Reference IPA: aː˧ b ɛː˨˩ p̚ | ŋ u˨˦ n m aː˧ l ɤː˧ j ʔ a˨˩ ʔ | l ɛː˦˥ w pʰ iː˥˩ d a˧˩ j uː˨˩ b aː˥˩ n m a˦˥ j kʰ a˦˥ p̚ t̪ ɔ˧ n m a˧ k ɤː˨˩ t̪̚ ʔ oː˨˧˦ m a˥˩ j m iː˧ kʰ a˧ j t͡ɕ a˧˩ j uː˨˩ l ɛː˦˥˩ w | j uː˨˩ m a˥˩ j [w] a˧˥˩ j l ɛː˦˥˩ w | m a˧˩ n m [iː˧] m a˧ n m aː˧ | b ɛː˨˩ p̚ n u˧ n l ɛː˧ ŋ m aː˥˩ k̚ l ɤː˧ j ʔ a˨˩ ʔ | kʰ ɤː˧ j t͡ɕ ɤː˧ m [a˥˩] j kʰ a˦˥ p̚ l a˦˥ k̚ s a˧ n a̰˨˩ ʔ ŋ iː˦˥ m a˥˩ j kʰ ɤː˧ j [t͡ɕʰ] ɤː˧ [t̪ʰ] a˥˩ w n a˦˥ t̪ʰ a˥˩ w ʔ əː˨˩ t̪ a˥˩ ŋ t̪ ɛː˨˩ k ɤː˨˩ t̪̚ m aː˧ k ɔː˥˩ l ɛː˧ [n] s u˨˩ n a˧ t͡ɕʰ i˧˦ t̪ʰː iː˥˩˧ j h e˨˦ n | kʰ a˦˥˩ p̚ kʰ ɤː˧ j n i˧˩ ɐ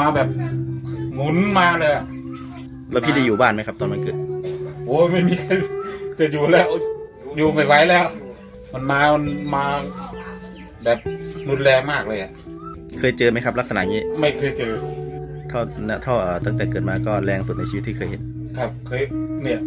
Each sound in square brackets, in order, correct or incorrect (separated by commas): correct, incorrect, incorrect, incorrect, correct, incorrect